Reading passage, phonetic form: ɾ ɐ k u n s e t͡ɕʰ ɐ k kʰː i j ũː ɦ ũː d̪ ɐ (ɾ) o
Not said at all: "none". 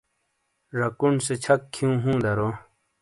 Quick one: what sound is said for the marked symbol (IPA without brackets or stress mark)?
ɾ